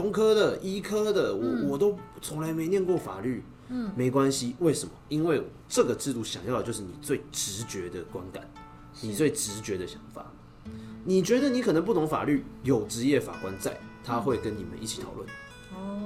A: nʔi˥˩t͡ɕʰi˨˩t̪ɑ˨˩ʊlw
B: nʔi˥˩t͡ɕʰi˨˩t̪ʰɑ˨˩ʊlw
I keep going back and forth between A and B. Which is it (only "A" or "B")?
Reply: B